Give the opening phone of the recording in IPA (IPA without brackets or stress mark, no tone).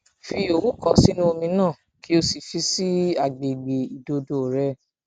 f